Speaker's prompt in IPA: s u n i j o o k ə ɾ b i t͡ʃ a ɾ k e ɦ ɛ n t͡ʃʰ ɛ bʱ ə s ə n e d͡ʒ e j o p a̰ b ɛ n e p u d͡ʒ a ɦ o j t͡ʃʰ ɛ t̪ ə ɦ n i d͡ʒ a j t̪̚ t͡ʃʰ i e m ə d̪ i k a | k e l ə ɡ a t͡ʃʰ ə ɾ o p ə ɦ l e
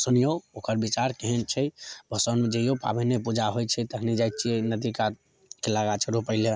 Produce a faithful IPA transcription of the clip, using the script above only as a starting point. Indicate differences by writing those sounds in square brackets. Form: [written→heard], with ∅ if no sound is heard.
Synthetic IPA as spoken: s u n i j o o k ə ɾ b i t͡ʃ a ɾ k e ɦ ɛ n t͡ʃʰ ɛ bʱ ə s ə n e d͡ʒ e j o p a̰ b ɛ n e p u d͡ʒ a ɦ o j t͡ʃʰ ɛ t̪ ə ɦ n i d͡ʒ a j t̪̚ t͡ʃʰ i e [m→n] ə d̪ i k a | k e l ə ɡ a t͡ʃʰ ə ɾ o p ə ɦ l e

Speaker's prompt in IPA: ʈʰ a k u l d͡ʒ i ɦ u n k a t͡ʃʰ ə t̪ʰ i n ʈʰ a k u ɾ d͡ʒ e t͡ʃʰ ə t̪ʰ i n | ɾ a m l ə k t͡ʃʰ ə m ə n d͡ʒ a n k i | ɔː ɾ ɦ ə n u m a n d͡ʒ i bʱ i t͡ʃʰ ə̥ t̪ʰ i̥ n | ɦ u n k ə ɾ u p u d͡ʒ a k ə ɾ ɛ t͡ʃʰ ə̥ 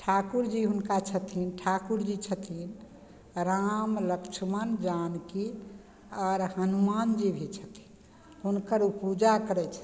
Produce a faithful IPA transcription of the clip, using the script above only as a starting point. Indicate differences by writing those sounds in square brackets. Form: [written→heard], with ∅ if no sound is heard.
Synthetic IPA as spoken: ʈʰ a k u [l→ɾ] d͡ʒ i ɦ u n k a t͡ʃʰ ə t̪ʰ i n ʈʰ a k u ɾ d͡ʒ [e→i] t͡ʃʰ ə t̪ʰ i n | ɾ a m l ə k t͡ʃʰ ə m ə n d͡ʒ a n k i | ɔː ɾ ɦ ə n u m a n d͡ʒ i bʱ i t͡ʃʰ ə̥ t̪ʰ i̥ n | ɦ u n k ə ɾ u p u d͡ʒ a k ə ɾ ɛ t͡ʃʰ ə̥

